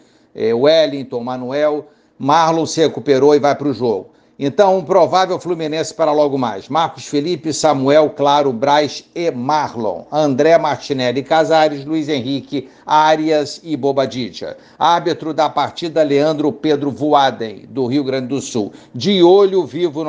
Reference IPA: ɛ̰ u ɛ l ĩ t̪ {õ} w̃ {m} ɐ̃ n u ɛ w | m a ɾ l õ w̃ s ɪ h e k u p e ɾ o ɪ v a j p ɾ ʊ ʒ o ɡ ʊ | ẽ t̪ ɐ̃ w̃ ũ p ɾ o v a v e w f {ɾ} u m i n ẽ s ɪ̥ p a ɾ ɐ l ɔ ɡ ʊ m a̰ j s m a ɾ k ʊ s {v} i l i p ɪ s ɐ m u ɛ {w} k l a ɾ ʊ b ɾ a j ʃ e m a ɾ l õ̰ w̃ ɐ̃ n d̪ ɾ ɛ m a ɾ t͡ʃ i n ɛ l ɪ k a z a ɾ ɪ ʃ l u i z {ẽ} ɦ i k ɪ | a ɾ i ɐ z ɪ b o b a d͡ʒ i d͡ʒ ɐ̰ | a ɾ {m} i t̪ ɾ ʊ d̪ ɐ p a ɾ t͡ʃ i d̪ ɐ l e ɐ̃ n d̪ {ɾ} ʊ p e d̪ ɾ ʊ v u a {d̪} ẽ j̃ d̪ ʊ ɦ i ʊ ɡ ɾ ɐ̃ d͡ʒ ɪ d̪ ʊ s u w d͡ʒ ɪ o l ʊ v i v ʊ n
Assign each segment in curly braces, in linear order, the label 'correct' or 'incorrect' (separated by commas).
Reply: correct, correct, incorrect, incorrect, correct, correct, incorrect, correct, correct